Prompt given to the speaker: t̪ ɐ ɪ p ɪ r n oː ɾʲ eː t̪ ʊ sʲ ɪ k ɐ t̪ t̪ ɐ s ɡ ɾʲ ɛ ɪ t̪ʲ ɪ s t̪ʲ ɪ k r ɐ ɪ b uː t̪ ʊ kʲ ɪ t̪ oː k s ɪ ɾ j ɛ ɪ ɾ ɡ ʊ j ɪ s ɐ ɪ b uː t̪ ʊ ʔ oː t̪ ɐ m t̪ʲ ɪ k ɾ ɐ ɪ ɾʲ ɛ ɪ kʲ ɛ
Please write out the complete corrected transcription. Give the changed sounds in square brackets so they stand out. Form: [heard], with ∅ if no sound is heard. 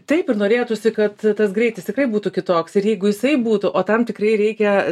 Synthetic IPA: t̪ ɐ ɪ p ɪ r n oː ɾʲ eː t̪ ʊ sʲ ɪ k ɐ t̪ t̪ ɐ s ɡ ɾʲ ɛ ɪ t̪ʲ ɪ s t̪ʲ ɪ k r ɐ ɪ b uː t̪ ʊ kʲ ɪ t̪ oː k s ɪ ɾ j ɛ ɪ [∅] ɡ ʊ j ɪ s ɐ ɪ b uː t̪ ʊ ʔ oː t̪ ɐ m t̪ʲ ɪ k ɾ ɐ ɪ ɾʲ ɛ ɪ kʲ ɛ